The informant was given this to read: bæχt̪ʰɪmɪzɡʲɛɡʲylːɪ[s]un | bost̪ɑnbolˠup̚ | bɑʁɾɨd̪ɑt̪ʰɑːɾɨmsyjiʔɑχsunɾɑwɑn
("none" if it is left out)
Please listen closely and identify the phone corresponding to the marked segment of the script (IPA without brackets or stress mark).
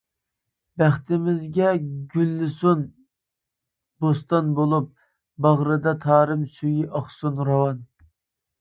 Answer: s